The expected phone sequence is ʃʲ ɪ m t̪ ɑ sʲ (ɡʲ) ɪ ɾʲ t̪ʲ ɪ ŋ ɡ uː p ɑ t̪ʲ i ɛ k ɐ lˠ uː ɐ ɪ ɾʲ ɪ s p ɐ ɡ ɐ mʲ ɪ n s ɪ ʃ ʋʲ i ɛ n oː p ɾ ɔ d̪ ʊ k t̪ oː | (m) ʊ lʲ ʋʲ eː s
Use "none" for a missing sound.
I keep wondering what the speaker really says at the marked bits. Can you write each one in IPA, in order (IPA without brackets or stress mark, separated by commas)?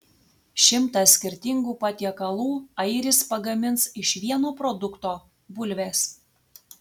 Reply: kʲ, b